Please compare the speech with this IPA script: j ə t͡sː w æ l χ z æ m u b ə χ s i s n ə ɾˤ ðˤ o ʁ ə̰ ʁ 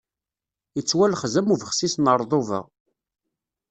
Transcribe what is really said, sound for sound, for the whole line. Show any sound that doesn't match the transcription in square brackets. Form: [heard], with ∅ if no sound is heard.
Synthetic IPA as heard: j ə t͡sː w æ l χ z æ m u [v] ə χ s i s n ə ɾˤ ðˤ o [v] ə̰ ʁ